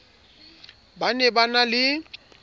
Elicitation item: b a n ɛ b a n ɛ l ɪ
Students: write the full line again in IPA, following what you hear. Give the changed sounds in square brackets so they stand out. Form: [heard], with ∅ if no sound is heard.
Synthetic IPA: b a n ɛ b a n [a] l ɪ